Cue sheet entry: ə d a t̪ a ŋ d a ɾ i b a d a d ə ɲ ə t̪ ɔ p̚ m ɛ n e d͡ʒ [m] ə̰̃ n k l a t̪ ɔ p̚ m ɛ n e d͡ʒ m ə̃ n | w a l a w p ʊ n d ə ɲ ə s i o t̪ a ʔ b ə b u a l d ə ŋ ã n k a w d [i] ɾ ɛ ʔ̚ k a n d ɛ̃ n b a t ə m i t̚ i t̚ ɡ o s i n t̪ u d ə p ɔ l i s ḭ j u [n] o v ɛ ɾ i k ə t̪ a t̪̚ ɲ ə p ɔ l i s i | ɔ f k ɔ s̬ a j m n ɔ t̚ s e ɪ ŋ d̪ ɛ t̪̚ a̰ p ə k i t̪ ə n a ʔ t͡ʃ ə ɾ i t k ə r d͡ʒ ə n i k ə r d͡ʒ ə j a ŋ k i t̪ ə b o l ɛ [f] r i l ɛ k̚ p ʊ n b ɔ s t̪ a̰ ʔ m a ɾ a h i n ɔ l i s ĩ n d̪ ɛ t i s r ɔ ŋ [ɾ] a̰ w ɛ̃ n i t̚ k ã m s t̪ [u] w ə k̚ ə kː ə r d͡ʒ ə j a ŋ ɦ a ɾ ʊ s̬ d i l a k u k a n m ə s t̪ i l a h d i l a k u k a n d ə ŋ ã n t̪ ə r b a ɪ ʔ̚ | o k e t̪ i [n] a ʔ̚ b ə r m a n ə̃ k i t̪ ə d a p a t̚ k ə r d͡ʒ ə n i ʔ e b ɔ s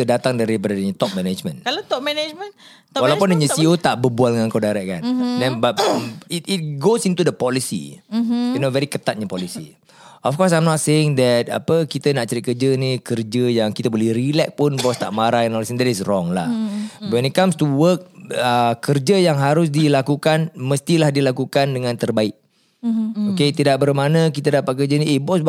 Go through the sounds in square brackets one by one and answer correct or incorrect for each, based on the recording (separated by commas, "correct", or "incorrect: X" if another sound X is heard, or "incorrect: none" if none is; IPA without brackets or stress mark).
correct, incorrect: a, correct, incorrect: h, incorrect: l, correct, incorrect: d